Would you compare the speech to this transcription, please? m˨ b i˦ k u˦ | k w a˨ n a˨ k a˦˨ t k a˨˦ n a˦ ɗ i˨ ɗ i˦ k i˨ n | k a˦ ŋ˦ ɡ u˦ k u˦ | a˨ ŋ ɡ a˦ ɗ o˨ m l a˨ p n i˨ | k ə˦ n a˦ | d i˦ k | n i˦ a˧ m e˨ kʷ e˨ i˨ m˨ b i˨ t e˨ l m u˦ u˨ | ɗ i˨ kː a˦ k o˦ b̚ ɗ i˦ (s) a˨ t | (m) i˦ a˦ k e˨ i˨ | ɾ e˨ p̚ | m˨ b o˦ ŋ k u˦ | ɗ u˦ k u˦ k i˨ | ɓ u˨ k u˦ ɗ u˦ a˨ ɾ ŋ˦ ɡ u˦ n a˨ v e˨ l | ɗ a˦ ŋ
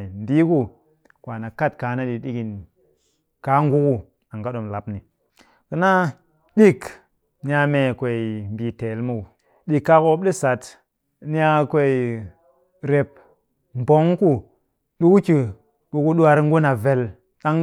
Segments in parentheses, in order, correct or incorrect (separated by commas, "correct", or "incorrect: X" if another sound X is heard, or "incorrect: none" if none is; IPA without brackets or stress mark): correct, incorrect: n